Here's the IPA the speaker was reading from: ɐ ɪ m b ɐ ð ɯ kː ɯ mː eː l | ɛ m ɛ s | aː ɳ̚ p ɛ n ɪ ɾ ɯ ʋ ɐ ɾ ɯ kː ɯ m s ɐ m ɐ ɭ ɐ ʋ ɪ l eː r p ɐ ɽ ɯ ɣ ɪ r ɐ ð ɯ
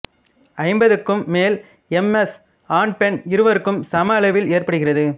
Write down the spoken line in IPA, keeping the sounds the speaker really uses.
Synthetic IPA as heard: ɐ ɪ m b ɐ ð ɯ kː ɯ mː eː l | ɛ m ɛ s | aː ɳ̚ p ɛ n ɪ ɾ ɯ ʋ ɐ ɾ ɯ kː ɯ m s ɐ m ɐ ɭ ɐ ʋ ɪ l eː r p ɐ ɽ ɯ ɣ ɪ r ɐ ð ɯ